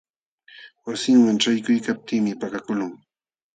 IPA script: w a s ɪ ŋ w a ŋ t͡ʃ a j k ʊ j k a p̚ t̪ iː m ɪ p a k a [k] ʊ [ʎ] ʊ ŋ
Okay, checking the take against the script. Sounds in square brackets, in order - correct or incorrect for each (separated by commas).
correct, incorrect